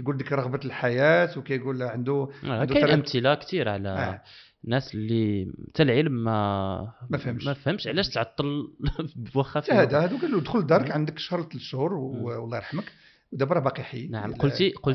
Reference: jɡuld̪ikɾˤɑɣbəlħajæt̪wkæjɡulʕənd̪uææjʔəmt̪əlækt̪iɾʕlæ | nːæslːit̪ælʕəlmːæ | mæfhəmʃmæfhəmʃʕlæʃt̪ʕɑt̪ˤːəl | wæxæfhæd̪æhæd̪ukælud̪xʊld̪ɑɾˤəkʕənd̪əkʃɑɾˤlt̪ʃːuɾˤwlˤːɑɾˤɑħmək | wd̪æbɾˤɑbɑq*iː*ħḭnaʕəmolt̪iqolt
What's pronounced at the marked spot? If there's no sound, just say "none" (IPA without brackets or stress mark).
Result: i